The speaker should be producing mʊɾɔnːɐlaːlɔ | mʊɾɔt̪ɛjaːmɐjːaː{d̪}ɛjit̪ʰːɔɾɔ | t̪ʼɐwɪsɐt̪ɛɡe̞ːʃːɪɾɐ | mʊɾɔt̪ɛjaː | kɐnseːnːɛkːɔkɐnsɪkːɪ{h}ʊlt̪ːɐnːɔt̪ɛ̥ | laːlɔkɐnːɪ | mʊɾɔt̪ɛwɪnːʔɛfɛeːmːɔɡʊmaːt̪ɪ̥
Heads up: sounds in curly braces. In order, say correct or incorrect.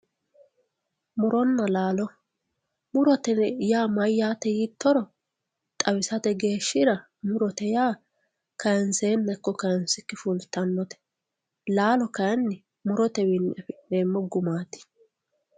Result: incorrect: t̪, incorrect: f

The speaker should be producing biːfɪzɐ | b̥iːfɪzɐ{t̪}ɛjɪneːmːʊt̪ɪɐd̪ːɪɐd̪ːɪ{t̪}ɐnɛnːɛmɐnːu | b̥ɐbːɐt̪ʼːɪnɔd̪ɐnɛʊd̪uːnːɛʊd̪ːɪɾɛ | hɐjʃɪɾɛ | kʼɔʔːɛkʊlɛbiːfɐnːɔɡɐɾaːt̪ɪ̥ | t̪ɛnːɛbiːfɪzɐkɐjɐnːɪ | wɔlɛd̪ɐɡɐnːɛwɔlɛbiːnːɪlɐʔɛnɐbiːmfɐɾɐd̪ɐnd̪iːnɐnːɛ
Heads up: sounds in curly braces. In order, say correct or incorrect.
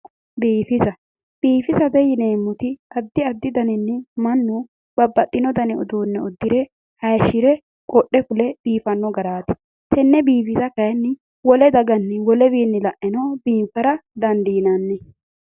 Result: incorrect: d̪, incorrect: d̪

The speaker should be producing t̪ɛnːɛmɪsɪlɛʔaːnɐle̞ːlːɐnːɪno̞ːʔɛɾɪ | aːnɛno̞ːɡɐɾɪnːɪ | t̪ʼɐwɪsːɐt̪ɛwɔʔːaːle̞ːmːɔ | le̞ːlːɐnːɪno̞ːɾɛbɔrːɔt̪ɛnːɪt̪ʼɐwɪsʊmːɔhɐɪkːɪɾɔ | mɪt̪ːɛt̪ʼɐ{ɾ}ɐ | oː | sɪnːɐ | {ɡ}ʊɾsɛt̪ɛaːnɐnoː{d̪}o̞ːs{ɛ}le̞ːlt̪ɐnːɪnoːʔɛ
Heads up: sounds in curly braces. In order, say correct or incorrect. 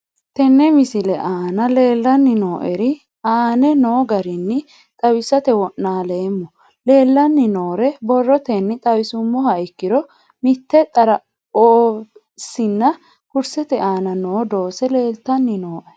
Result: correct, incorrect: k, correct, correct

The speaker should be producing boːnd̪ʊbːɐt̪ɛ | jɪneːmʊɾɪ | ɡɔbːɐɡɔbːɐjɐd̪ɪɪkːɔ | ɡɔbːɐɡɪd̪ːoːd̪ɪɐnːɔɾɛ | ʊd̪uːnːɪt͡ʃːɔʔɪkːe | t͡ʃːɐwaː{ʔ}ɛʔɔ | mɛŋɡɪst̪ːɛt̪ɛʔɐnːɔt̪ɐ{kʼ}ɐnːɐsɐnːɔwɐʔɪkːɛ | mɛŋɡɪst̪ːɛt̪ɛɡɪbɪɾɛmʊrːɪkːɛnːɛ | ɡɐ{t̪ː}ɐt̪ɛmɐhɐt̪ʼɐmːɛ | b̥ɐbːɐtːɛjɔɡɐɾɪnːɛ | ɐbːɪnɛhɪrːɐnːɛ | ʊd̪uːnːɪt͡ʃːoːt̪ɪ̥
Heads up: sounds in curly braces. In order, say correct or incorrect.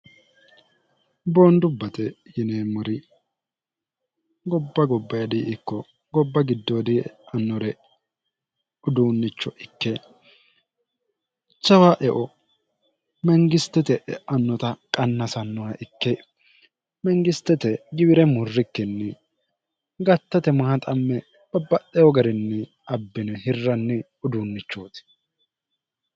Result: correct, correct, correct

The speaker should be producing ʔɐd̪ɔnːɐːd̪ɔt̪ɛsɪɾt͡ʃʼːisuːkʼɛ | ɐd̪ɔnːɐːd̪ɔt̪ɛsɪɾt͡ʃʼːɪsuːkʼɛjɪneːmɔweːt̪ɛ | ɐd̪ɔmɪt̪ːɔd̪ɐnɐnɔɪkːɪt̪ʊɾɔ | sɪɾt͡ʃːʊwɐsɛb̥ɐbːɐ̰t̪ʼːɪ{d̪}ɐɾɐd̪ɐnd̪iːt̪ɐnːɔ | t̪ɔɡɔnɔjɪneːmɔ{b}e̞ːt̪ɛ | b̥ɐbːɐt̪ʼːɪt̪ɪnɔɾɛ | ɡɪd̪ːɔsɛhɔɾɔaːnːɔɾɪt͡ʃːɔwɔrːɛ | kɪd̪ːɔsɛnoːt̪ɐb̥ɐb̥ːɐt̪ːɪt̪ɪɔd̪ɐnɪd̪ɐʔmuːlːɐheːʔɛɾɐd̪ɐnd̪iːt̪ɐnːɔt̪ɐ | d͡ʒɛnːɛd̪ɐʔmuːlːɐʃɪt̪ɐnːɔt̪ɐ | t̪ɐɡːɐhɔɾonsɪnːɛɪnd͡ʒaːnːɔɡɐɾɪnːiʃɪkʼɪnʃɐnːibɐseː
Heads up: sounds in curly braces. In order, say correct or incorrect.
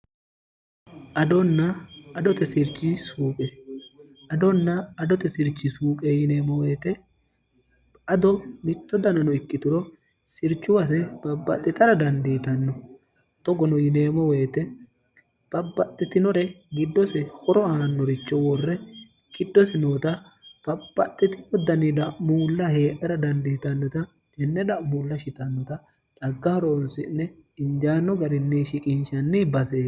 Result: incorrect: t̪, incorrect: w

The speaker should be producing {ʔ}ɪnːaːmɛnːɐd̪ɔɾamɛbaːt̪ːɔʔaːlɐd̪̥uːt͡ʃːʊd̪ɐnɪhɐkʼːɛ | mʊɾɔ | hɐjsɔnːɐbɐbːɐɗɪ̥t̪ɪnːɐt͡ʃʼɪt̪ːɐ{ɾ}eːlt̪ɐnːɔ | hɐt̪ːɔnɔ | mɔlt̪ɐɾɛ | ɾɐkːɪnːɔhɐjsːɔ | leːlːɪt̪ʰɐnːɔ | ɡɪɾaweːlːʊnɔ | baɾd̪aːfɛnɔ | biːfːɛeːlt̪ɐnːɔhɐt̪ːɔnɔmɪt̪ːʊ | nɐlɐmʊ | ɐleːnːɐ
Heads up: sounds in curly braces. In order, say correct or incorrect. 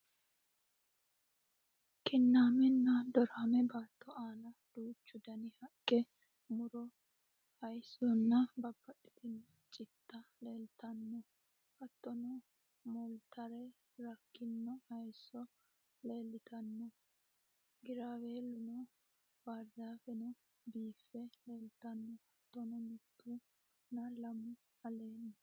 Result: incorrect: k, incorrect: l

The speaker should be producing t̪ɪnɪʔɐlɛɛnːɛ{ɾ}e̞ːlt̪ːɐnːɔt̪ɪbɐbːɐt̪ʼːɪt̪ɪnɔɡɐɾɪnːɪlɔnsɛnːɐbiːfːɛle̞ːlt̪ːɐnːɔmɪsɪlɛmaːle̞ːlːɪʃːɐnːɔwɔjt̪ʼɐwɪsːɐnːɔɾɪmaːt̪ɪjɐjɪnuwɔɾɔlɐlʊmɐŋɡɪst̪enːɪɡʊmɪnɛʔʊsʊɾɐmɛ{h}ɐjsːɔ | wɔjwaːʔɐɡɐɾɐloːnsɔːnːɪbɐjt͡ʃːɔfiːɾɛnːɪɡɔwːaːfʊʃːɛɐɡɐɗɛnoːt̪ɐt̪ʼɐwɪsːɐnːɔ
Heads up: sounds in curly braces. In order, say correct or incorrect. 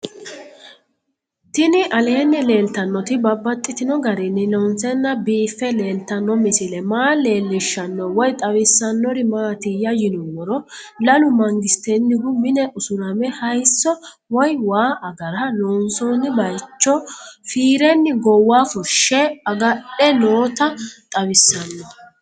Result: incorrect: l, correct

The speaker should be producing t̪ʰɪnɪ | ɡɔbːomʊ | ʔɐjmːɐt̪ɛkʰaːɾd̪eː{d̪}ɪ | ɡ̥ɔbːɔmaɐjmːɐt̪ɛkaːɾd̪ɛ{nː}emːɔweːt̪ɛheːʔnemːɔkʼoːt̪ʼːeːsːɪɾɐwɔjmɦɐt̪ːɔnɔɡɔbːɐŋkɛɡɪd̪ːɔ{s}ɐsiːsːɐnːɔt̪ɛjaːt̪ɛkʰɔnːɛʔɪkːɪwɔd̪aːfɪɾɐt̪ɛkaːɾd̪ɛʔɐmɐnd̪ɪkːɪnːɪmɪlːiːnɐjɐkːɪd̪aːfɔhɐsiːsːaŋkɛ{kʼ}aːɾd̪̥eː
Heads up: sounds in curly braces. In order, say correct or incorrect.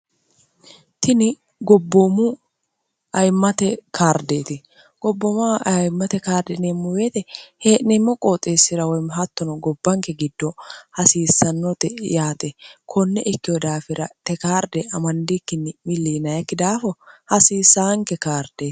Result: incorrect: t̪, incorrect: n, incorrect: h, incorrect: k

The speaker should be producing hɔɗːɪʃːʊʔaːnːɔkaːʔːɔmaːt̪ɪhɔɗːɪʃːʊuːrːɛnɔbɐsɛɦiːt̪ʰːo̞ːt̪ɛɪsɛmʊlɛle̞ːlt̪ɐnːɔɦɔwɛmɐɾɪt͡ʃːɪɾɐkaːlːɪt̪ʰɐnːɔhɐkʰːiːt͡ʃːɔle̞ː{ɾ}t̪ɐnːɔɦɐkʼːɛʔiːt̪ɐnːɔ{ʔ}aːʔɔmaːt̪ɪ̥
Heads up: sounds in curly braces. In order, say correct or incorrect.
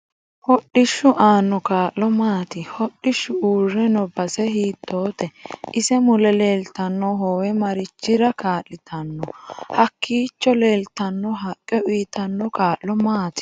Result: incorrect: l, incorrect: k

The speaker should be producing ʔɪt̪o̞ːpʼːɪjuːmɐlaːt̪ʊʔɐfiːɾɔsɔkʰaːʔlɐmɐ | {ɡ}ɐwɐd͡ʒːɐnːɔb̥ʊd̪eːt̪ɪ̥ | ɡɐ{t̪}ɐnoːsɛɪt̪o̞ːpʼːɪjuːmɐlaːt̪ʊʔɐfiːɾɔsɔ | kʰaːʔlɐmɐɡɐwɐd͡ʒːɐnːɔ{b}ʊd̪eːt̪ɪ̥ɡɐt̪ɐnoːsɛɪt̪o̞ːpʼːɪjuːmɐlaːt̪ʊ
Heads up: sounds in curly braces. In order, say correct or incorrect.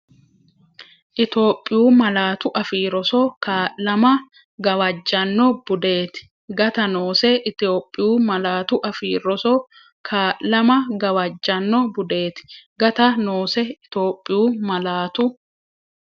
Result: correct, correct, correct

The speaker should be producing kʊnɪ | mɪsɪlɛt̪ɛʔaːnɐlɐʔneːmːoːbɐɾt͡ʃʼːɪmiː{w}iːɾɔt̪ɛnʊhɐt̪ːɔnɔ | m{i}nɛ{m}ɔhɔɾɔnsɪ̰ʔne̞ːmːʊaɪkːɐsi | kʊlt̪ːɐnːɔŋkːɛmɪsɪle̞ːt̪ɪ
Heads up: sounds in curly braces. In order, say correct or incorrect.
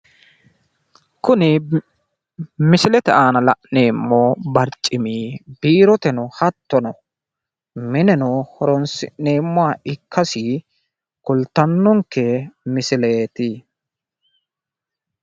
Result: incorrect: b, incorrect: ɪ, incorrect: n

